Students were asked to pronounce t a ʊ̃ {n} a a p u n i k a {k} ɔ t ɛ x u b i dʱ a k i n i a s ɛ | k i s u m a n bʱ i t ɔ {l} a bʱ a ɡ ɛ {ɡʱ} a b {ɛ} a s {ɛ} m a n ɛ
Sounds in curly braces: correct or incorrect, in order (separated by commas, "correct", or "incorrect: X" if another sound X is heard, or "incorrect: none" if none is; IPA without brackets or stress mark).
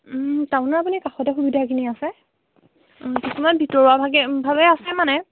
correct, incorrect: x, incorrect: ɹ, incorrect: bʱ, correct, correct